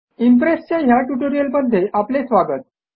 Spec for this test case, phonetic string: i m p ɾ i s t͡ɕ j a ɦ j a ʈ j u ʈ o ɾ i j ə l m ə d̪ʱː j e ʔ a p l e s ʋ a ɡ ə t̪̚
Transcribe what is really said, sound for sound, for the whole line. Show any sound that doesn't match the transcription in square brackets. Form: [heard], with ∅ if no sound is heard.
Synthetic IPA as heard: i m p ɾ [e] s t͡ɕ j a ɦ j a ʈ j u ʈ o ɾ i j ə l m ə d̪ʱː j e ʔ a p l e s ʋ a ɡ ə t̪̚

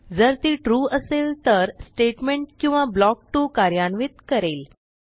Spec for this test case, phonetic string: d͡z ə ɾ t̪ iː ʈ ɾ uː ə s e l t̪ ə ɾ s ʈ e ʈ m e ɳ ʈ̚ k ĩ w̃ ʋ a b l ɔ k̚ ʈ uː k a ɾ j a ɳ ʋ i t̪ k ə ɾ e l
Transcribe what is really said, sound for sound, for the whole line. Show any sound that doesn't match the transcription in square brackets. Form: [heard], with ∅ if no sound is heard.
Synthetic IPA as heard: d͡z ə ɾ t̪ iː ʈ ɾ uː ə s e l t̪ ə ɾ s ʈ e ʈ m e ɳ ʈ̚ k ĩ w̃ ʋ a b l ɔ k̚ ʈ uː k a ɾ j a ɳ ʋ i t̪ k ə ɾ e l

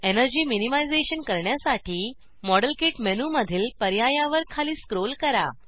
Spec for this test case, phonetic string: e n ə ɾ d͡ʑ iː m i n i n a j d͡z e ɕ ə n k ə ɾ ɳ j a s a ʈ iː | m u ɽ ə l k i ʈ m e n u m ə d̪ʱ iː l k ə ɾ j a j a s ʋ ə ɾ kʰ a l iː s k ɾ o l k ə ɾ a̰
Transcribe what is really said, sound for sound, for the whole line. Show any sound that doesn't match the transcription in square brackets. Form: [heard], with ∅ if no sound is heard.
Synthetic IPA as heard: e n ə ɾ d͡ʑ iː m i n i [m] a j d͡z e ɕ ə n k ə ɾ ɳ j a s a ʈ iː | m [ɔ] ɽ ə l k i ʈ m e n u m ə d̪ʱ iː l [p] ə ɾ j a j a [∅] ʋ ə ɾ kʰ a l iː s k ɾ o l k ə ɾ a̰

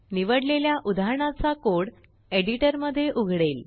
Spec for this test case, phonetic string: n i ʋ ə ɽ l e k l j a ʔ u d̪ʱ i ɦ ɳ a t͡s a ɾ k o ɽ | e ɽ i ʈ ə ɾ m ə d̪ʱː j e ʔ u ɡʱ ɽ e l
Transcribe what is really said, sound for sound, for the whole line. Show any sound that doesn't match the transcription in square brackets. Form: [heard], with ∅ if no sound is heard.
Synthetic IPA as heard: n i ʋ ə ɽ l e [∅] l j a ʔ u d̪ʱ [a] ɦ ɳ a t͡s a [∅] k o ɽ | e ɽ i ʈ ə ɾ m ə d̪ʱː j e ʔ u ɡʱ ɽ e l

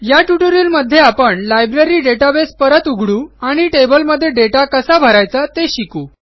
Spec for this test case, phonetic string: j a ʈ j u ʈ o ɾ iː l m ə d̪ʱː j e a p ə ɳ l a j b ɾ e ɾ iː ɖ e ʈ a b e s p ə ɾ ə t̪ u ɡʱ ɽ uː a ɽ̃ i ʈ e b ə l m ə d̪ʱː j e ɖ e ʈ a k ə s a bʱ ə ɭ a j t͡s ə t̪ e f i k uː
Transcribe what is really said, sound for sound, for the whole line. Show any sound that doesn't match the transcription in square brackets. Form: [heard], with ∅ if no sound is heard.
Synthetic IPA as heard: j a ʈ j u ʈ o ɾ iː l m ə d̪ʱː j e a p ə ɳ l a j b ɾ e ɾ iː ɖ e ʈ a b e s p ə ɾ ə t̪ u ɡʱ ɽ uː a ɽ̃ i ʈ e b ə l m ə d̪ʱː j e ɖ e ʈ a k ə s a bʱ ə [ɾ] a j t͡s [a] t̪ e [ɕ] i k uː

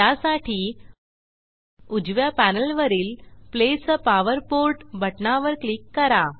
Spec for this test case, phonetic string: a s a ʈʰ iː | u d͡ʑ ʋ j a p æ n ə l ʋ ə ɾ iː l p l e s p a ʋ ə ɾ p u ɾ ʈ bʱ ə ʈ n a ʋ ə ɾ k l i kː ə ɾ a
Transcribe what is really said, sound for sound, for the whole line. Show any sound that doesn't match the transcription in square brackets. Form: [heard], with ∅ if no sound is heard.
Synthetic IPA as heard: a s a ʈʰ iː | u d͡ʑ ʋ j a p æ n ə l ʋ ə ɾ iː l p l e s p a ʋ ə ɾ p [o] ɾ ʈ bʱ ə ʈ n a ʋ ə ɾ k l i kː ə ɾ a

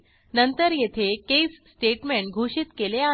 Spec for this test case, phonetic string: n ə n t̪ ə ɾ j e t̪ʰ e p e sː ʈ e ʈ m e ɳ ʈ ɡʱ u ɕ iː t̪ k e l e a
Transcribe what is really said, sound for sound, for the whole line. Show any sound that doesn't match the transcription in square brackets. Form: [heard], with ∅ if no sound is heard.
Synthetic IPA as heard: n ə n t̪ ə ɾ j e t̪ʰ e [k] e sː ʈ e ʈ m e ɳ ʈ ɡʱ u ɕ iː t̪ k e l e a

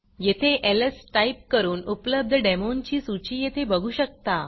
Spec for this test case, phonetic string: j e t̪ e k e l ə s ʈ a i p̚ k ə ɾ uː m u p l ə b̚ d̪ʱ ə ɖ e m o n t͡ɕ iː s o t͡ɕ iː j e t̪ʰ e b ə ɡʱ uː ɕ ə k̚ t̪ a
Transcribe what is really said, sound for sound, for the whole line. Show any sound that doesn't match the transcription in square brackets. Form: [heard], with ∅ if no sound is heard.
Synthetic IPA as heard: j e [t̪ʰ] e [ʔ] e l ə s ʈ a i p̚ k ə ɾ uː [n] u p l ə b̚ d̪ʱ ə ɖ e m o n t͡ɕ iː s [u] t͡ɕ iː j e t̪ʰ e b ə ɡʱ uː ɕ ə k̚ t̪ a

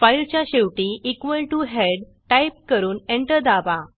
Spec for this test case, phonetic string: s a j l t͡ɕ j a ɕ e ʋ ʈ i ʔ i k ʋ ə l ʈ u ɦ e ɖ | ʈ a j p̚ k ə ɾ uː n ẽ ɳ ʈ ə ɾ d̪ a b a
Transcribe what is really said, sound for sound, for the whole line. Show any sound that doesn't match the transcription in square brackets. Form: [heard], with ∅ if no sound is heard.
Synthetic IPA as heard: [f] a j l t͡ɕ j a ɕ e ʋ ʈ i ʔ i k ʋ ə l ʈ u ɦ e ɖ | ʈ a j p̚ k ə ɾ uː n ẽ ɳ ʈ ə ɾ d̪ a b a

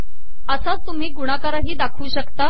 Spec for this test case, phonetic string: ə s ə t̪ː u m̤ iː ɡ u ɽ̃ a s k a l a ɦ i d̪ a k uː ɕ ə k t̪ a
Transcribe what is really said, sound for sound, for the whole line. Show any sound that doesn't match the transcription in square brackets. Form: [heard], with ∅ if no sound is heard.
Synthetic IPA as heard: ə s [a] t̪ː u m̤ iː ɡ u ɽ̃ a [∅] k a [ɾ] a ɦ [iː] d̪ a [kʰ] uː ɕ ə k t̪ a

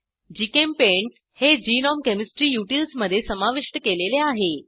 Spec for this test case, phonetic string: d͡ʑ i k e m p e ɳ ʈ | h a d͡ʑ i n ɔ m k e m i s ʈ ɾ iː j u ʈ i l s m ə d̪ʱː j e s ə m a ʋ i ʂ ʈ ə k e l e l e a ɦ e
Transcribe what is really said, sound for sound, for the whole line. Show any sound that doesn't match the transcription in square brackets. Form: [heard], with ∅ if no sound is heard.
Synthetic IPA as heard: d͡ʑ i k e m p e ɳ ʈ | h [e] d͡ʑ i n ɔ m k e m i s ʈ ɾ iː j u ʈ i l s m ə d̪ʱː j e s ə m a ʋ i ʂ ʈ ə k e l e l e a ɦ e

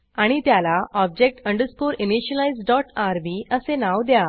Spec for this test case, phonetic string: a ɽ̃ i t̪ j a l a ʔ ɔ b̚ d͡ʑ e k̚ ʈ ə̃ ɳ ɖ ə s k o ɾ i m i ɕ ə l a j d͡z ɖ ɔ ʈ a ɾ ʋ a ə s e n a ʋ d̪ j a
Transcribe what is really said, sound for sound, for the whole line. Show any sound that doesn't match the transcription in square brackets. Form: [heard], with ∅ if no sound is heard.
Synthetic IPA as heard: a ɽ̃ i t̪ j a l a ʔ ɔ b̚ d͡ʑ e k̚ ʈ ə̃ ɳ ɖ ə s k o ɾ i [n] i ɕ ə l a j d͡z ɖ ɔ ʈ a ɾ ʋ [i] ə s e n a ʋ d̪ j a

